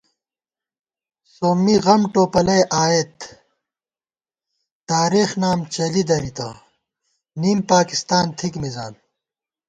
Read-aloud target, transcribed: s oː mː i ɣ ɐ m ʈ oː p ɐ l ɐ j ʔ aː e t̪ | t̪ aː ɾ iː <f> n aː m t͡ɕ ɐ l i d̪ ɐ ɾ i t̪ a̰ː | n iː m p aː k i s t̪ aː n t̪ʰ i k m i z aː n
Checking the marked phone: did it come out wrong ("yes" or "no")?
yes